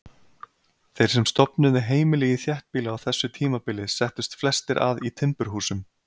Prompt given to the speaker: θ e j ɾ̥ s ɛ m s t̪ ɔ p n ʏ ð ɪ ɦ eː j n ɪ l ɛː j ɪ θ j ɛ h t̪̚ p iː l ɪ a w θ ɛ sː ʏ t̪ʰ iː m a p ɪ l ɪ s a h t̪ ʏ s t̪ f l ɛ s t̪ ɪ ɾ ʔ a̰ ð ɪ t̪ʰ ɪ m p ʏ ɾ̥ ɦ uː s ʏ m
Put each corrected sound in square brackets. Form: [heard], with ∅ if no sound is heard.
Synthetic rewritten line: θ e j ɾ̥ s ɛ m s t̪ ɔ p n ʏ ð ɪ ɦ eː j [m] ɪ l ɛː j ɪ θ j ɛ h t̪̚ p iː l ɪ a w θ ɛ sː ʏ t̪ʰ iː m a p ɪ l ɪ s [ɛ] h t̪ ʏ s t̪ f l ɛ s t̪ ɪ ɾ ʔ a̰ ð [i] t̪ʰ ɪ m p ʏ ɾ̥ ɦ uː s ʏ m